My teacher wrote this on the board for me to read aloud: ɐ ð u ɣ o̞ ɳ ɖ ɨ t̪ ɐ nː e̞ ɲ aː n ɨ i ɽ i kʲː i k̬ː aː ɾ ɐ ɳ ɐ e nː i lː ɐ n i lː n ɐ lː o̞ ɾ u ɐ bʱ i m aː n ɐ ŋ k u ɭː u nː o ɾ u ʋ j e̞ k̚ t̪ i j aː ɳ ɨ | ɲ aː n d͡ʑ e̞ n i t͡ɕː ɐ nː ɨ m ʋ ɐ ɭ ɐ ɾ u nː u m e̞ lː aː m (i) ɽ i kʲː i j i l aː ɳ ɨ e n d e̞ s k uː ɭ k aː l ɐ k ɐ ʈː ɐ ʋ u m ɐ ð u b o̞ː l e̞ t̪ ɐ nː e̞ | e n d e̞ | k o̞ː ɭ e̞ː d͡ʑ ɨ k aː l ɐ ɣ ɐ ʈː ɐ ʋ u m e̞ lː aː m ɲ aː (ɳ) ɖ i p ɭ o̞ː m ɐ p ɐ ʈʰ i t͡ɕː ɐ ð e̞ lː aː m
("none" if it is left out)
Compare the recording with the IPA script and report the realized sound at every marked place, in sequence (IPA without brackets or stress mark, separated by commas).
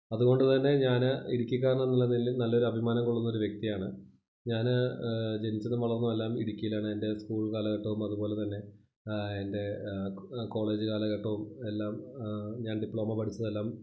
i, n